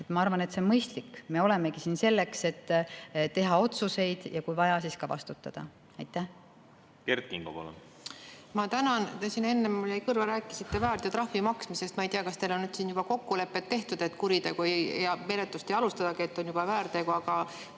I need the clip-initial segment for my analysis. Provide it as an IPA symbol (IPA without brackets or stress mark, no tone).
e